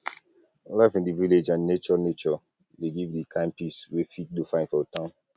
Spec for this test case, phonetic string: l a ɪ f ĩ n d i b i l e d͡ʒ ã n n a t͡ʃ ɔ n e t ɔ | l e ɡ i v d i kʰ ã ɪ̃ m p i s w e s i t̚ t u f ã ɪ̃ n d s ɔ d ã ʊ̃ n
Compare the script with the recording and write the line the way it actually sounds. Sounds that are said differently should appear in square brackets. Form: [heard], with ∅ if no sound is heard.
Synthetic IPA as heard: l a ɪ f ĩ n d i [v] i l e d͡ʒ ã n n [e] t͡ʃ ɔ n e [t͡ʃ] ɔ | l e ɡ i v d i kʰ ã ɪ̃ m p i s w e [f] i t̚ [d] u f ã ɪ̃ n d [f] ɔ [t] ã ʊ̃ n